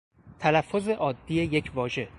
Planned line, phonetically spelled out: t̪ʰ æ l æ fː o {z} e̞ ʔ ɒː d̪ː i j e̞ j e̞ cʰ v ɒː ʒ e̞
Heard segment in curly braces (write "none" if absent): z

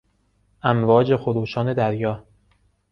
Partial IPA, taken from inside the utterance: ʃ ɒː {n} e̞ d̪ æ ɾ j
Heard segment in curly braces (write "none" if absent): n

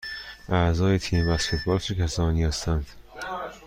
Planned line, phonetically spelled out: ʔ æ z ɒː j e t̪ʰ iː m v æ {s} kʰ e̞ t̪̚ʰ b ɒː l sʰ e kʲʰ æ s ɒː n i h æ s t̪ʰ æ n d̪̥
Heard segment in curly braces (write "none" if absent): s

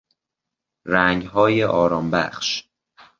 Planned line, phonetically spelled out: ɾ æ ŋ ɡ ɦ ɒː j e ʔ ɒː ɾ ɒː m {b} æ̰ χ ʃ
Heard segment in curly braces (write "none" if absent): b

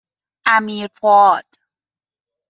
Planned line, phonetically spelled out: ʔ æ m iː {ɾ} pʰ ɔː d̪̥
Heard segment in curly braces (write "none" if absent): ɾ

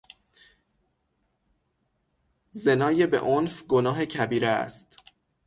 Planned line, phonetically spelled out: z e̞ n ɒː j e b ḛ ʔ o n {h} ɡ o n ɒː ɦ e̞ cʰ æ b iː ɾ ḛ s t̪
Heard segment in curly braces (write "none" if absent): f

